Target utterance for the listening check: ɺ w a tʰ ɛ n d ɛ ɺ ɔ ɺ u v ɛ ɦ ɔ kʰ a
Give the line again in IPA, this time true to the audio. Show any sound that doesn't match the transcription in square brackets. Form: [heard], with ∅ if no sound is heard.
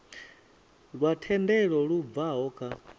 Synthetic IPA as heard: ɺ w a tʰ ɛ n d ɛ ɺ ɔ ɺ u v [a] ɦ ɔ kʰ a